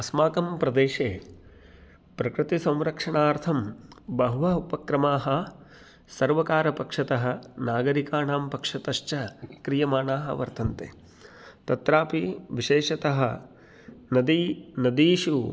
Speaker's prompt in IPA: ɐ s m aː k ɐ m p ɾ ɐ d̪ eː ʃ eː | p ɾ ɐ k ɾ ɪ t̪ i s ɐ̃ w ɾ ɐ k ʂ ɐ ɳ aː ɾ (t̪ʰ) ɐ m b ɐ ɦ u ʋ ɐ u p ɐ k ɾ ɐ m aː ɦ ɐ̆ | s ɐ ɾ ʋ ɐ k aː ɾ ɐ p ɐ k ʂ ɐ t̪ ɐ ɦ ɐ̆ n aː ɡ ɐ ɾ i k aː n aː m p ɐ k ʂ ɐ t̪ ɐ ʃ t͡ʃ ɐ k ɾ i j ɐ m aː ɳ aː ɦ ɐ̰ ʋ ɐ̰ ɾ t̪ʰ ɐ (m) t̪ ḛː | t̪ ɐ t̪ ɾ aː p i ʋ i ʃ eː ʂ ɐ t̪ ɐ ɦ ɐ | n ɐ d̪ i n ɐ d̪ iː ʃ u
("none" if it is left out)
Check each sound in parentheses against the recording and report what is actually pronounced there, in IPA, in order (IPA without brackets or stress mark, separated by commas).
t̪ʰ, n